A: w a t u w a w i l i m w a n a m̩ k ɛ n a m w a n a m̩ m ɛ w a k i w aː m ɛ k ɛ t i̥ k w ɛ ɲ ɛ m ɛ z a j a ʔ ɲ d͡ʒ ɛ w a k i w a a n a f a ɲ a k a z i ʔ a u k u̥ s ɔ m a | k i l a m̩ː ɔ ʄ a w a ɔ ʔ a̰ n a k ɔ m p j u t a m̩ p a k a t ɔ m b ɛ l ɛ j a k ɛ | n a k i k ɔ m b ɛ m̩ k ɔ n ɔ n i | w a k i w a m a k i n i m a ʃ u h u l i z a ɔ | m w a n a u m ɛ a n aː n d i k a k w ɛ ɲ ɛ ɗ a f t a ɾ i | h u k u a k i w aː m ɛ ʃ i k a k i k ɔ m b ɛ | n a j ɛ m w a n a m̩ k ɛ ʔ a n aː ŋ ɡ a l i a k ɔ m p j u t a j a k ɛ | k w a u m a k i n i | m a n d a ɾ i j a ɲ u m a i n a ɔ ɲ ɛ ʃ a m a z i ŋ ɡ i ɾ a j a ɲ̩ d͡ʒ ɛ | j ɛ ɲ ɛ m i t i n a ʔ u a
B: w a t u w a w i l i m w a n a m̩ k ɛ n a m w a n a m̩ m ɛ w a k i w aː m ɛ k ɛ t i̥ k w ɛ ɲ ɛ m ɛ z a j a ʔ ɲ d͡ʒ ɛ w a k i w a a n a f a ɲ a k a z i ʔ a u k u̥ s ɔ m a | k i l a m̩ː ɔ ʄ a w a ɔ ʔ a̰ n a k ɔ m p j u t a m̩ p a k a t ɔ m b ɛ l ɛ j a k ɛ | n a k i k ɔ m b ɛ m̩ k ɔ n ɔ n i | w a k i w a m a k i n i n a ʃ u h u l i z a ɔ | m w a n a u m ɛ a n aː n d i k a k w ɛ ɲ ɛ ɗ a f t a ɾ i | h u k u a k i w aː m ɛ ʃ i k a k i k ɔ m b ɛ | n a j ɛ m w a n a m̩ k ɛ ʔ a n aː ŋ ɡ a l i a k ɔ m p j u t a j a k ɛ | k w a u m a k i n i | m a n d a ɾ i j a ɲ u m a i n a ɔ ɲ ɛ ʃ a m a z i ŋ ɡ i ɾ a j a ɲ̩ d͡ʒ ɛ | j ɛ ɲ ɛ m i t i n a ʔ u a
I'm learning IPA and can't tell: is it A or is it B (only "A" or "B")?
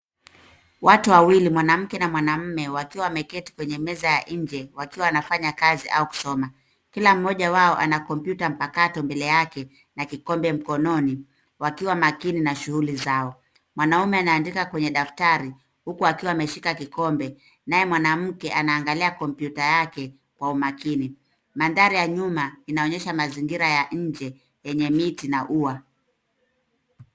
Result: B